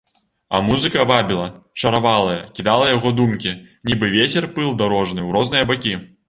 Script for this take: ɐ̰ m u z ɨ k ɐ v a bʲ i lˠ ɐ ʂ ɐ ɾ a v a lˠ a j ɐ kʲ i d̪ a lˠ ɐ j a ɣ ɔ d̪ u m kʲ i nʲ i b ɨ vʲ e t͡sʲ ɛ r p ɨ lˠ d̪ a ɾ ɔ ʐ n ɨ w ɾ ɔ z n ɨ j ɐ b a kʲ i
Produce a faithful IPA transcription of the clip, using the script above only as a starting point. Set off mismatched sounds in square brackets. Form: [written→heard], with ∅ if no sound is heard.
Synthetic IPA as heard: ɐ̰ m u z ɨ k ɐ v a bʲ i lˠ ɐ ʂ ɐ ɾ a v a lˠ [a→ɐ] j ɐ kʲ i d̪ a lˠ ɐ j a ɣ ɔ d̪ u m kʲ i nʲ i b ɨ vʲ e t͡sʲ ɛ r p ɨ lˠ d̪ a ɾ ɔ ʐ n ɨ w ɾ ɔ z n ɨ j ɐ b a kʲ i